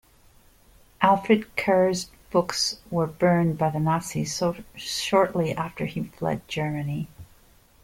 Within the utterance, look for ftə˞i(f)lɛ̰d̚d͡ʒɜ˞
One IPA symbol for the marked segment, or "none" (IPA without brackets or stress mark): f